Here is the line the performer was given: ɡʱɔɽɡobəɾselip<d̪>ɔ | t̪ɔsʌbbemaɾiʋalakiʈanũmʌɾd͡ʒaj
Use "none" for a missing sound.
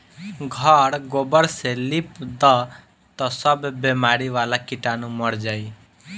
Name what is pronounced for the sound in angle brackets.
d̪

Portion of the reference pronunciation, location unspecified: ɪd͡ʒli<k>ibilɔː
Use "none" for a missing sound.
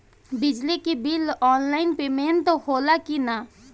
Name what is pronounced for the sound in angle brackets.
k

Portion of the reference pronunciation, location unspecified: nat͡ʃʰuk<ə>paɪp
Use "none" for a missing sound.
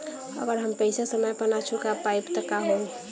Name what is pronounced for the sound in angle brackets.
a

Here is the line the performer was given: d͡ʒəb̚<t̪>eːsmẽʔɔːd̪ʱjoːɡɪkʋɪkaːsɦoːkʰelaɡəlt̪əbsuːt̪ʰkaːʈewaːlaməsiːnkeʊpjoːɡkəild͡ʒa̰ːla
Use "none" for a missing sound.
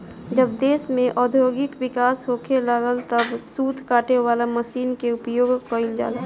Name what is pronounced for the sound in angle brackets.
d̪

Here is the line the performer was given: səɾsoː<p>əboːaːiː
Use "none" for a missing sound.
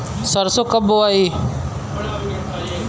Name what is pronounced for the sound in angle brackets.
k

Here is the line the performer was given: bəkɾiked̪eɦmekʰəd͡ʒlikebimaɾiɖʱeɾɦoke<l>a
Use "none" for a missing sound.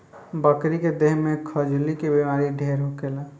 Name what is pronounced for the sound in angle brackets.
l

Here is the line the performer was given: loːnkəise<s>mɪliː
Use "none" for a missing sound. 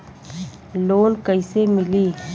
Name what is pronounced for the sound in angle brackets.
none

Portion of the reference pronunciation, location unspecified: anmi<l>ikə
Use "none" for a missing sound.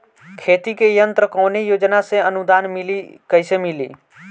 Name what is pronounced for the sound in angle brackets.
l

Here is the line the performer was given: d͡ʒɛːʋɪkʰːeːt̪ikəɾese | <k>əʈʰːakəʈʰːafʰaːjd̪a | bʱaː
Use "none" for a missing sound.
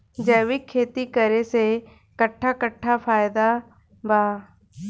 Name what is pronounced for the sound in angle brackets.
k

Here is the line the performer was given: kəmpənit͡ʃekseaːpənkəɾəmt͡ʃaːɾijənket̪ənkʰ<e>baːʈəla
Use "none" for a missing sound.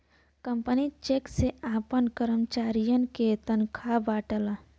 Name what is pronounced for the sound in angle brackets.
a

